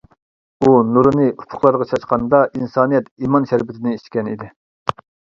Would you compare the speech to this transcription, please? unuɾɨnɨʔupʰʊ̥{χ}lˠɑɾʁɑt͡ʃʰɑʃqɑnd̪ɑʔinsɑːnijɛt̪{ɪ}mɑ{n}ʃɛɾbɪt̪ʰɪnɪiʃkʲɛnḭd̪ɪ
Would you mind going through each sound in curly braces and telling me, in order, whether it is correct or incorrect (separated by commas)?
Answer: correct, incorrect, correct